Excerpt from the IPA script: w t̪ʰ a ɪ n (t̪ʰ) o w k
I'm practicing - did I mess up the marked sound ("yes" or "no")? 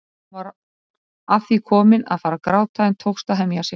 no